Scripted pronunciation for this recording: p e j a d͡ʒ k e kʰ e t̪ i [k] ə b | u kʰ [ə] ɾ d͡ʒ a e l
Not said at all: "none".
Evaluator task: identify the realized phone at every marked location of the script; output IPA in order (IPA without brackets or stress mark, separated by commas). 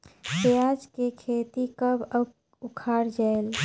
k, a